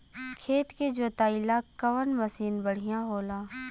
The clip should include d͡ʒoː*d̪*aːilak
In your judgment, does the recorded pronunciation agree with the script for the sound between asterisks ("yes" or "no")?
no